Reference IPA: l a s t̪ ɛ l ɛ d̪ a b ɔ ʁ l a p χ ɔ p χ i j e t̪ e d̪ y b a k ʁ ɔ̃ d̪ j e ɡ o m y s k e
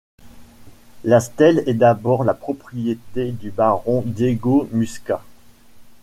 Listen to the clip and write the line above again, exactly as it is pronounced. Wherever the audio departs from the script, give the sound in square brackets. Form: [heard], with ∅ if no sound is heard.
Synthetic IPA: l a s t̪ ɛ l ɛ d̪ a b ɔ ʁ l a p χ ɔ p χ i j e t̪ e d̪ y b a [∅] ʁ ɔ̃ d̪ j e ɡ o m y s k [a]